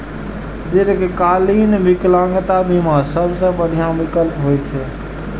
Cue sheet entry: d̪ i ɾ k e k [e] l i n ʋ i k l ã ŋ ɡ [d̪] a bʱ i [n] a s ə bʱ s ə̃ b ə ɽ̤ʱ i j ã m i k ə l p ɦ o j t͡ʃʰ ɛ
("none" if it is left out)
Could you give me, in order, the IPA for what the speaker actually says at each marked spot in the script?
a, t̪, m

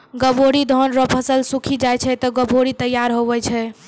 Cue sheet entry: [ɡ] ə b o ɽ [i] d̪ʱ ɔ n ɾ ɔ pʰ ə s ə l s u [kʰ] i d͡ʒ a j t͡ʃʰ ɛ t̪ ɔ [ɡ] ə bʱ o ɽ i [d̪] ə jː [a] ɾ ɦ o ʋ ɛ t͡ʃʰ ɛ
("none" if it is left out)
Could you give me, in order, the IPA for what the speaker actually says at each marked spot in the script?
ɡ, i, kʰ, ɡ, t̪, a

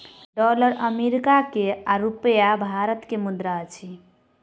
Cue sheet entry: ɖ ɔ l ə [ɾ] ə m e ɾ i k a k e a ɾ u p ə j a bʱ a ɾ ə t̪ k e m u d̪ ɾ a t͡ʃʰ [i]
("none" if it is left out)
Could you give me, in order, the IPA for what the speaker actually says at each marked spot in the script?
ɾ, i

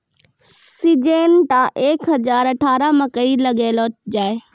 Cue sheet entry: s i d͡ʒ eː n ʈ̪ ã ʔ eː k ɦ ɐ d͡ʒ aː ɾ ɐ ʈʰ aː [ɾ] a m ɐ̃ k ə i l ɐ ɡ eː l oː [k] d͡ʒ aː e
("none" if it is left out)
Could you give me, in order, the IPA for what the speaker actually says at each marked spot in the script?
ɾ, none

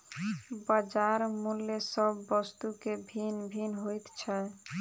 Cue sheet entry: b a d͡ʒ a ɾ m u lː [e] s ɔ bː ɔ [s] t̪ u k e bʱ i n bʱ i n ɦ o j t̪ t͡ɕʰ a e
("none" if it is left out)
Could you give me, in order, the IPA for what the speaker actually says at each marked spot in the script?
e, s

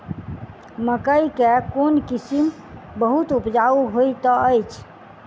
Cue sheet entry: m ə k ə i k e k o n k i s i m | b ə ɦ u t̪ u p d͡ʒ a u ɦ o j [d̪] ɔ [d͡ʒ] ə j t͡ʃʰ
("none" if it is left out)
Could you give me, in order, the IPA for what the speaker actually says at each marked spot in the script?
t̪, none

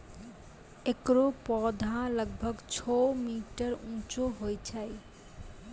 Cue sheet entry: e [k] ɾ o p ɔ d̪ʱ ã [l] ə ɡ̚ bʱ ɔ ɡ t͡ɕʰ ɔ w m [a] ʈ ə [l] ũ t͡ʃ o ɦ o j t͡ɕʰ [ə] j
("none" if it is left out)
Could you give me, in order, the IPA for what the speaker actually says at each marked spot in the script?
k, l, i, ɾ, a

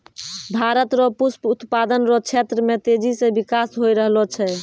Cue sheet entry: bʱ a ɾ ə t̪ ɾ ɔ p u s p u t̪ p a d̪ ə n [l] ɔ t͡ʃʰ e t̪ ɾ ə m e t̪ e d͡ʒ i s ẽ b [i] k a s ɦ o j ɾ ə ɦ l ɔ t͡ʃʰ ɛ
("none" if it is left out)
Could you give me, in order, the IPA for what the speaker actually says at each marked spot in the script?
ɾ, i

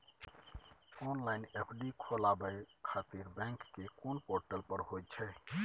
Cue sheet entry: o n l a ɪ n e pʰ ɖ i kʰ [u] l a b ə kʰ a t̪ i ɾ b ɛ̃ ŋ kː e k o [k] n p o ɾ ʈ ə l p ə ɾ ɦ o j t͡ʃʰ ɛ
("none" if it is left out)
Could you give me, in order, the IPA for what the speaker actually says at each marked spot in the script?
o, none

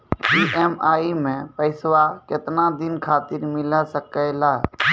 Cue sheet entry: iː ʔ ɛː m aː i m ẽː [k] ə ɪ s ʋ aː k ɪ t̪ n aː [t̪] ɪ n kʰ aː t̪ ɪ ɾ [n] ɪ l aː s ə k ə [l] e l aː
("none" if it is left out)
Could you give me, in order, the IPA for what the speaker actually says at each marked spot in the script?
p, d̪, m, none

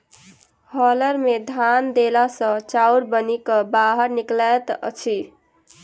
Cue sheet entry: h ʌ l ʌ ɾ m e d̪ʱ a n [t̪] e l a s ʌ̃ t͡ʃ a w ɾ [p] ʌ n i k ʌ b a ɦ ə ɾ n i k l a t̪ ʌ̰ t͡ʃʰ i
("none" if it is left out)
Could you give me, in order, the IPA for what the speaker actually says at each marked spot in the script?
d̪, b

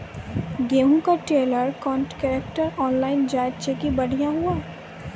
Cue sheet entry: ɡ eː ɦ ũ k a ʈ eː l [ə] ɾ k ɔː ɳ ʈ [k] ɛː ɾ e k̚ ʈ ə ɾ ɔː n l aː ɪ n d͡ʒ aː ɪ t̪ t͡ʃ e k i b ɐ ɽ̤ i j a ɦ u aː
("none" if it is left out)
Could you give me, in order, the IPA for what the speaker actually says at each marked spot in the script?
ə, k

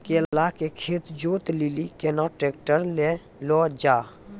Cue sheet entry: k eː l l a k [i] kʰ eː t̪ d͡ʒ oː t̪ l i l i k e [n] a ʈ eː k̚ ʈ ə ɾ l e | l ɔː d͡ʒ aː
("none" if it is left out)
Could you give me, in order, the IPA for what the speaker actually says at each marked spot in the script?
e, n

